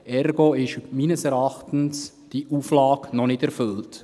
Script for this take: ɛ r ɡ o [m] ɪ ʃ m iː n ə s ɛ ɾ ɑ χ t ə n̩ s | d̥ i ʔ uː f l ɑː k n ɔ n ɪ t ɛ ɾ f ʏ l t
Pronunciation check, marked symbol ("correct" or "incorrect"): incorrect